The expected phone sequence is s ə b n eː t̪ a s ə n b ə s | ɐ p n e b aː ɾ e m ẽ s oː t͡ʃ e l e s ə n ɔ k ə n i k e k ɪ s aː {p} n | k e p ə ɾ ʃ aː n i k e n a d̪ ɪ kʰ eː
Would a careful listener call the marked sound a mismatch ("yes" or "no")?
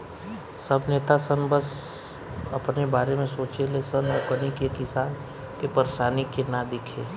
yes